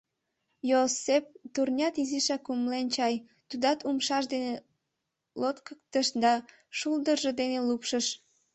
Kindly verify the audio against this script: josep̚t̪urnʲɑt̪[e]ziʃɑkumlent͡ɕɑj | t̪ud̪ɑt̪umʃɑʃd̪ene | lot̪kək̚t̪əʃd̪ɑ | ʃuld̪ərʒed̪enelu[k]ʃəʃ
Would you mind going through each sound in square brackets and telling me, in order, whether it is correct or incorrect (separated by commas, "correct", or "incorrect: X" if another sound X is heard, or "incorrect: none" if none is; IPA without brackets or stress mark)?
incorrect: i, incorrect: p